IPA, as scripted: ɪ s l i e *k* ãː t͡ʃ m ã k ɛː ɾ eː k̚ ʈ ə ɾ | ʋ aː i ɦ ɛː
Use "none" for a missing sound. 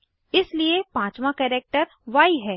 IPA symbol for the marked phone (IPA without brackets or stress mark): p